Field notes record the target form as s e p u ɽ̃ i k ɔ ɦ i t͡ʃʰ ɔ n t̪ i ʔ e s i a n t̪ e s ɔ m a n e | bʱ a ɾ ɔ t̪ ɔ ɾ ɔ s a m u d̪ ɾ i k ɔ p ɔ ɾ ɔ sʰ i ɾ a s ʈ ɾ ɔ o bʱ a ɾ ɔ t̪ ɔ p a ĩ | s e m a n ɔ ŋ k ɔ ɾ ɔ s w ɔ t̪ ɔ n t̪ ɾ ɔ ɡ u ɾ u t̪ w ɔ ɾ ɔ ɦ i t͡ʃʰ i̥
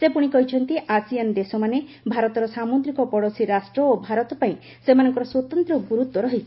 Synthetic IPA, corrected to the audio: s e p u ɽ̃ i k ɔ ɦ i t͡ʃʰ ɔ n t̪ i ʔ a s i a n d̪ e s ɔ m a n e | bʱ a ɾ ɔ t̪ ɔ ɾ ɔ s a m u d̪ ɾ i k ɔ p ɔ ɽ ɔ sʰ i ɾ a s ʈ ɾ ɔ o bʱ a ɾ ɔ t̪ ɔ p a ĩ | s e m a n ɔ ŋ k ɔ ɾ ɔ s w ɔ t̪ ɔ n t̪ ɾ ɔ ɡ u ɾ u t̪ w ɔ ɾ ɔ ɦ i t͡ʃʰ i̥